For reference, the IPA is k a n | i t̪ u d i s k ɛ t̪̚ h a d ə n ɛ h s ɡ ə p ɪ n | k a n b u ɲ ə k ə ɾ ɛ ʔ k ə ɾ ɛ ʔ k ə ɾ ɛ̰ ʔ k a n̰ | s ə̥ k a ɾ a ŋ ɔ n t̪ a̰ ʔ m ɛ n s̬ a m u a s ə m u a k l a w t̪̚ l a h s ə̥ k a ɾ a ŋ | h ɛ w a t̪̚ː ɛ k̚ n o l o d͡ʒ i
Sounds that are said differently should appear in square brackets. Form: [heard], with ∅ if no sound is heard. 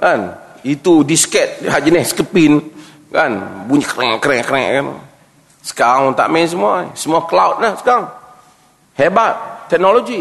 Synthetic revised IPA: k a n | i t̪ u d i s k ɛ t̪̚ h a [d͡ʒ] ə n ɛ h s [k] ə p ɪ n | k a n b u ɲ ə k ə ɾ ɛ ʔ k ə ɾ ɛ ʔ k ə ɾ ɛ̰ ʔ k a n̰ | s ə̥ k a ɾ a ŋ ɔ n t̪ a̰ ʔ m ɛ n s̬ [ə] m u a s ə m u a k l a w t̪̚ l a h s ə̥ k a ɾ a ŋ | h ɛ [b] a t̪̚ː ɛ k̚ n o l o d͡ʒ i